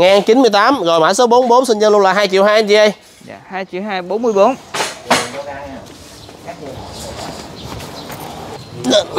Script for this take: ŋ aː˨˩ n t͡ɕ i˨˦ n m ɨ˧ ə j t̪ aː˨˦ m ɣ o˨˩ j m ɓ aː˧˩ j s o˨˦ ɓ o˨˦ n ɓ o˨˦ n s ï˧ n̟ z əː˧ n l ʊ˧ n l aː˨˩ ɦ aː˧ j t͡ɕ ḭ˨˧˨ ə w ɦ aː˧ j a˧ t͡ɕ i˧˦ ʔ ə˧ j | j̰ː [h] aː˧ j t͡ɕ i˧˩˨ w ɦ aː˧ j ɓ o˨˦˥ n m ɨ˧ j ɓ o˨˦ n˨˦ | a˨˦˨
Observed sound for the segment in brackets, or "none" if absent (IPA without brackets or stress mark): h